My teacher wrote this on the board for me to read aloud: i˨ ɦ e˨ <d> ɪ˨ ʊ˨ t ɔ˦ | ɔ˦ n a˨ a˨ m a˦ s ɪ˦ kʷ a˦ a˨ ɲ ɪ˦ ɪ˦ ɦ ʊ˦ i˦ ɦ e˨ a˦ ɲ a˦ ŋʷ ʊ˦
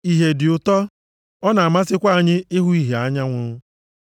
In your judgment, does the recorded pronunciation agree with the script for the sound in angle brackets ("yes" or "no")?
yes